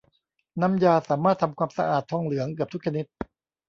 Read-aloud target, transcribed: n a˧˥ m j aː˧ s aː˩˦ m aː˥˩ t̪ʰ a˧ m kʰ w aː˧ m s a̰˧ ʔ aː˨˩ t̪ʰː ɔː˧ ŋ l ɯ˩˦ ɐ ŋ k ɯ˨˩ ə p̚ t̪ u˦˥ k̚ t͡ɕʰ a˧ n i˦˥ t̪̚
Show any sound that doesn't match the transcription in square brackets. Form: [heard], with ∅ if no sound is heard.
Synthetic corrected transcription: n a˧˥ m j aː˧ s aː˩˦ m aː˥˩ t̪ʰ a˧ m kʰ w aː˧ m s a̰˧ ʔ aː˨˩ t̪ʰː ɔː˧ ŋ l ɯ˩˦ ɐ ŋ k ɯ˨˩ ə p̚ t̪ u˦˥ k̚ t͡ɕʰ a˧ n i˦˥ t̪̚